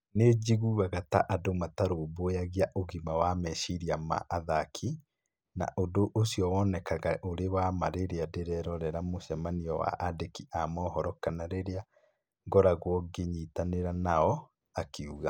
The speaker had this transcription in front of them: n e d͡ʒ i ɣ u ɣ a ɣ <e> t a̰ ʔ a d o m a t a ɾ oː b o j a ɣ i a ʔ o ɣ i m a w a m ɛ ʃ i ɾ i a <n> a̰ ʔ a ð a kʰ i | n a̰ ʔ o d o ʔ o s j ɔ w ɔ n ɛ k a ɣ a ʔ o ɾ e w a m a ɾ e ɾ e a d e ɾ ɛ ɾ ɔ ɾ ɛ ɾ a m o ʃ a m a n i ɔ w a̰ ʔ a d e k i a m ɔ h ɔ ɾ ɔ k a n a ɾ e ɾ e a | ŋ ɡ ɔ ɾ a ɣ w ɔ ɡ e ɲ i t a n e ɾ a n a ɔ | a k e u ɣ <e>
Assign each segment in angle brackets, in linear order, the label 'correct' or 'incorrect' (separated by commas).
incorrect, incorrect, incorrect